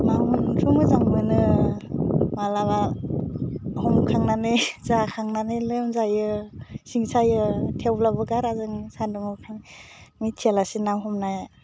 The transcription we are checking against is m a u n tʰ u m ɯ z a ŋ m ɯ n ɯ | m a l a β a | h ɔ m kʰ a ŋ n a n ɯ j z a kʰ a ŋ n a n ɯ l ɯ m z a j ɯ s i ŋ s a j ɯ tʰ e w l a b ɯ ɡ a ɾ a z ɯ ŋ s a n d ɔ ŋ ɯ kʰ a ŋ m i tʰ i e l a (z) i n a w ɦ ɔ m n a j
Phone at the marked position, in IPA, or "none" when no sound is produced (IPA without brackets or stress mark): s